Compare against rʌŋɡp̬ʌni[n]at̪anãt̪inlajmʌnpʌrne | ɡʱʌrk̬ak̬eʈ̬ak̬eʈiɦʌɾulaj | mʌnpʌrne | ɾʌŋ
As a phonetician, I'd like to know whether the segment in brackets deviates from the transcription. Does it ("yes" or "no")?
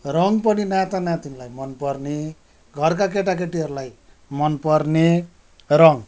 no